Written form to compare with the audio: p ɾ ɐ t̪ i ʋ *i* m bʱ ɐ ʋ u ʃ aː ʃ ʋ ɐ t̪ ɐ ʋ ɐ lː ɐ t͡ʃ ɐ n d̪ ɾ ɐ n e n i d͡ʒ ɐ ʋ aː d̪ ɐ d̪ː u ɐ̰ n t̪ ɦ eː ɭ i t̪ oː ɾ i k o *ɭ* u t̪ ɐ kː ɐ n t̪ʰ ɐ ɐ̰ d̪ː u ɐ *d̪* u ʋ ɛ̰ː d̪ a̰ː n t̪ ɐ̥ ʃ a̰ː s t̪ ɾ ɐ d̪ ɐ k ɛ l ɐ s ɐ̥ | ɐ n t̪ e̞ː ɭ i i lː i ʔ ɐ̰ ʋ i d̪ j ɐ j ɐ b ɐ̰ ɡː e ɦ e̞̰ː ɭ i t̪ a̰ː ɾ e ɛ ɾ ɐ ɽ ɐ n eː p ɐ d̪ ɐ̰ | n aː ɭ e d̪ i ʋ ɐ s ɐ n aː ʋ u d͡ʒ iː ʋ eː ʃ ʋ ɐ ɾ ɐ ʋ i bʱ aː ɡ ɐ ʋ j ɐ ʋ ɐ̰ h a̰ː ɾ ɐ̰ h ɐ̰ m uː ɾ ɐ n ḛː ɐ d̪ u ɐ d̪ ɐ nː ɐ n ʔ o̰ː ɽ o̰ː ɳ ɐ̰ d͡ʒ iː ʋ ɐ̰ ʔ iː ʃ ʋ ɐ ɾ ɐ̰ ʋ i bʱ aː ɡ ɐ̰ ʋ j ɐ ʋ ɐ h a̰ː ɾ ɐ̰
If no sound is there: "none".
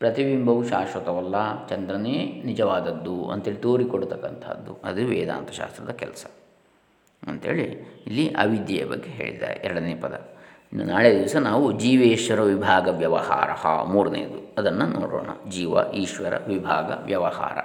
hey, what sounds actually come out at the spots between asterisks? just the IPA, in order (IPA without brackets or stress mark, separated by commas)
i, ɽ, d̪